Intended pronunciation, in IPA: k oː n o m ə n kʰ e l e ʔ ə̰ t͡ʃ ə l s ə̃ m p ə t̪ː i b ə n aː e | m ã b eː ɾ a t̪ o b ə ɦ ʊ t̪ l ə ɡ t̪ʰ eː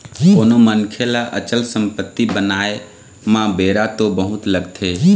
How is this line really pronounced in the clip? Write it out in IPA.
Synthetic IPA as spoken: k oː n o m ə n kʰ e l a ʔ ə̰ t͡ʃ ə l s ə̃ m p ə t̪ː i b ə n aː e | m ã b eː ɾ a t̪ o b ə ɦ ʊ t̪ l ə ɡ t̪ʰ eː